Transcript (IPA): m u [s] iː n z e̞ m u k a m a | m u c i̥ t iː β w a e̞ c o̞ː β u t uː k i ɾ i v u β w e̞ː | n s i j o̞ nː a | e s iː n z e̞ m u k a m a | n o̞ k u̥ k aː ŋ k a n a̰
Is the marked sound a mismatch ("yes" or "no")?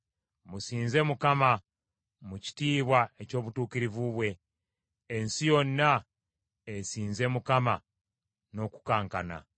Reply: no